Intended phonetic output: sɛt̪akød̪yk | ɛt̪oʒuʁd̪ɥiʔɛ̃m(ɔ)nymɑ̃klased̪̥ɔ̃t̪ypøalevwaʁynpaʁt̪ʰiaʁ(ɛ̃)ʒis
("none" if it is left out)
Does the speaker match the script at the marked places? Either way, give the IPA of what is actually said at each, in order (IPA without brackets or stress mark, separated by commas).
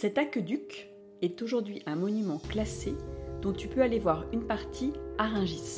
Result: ɔ, ɛ̃